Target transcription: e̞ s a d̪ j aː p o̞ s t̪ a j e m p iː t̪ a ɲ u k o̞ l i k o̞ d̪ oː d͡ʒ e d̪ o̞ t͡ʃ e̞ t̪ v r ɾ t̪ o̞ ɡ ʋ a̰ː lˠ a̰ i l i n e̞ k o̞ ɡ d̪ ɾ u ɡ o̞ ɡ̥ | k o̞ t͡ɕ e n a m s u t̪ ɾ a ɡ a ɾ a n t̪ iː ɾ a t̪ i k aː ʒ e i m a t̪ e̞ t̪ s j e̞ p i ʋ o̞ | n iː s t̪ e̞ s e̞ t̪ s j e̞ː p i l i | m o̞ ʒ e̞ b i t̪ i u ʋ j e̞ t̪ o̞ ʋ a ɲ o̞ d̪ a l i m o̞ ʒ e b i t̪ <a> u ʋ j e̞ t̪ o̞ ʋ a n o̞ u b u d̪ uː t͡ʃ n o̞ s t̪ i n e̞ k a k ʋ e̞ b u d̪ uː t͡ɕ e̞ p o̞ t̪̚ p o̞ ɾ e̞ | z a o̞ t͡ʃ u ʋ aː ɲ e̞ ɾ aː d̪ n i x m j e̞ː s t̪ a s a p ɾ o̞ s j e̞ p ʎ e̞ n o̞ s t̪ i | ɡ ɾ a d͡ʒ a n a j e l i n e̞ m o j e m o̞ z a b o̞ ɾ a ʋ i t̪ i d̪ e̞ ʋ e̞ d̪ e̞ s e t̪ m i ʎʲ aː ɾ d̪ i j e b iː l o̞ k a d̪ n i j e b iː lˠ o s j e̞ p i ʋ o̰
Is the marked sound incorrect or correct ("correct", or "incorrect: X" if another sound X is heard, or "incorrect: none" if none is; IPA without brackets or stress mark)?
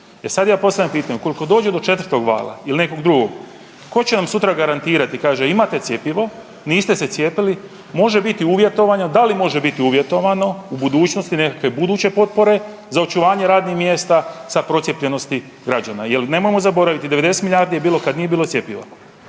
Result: incorrect: i